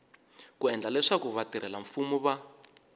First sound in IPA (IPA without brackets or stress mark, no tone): k